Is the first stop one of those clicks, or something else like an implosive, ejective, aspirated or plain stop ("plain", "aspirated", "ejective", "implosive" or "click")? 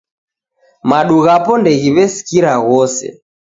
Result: implosive